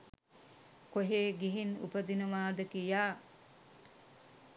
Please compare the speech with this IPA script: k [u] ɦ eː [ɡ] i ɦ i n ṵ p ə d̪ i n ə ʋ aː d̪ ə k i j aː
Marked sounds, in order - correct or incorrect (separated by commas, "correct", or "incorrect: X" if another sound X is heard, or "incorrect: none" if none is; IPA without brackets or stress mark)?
incorrect: o, correct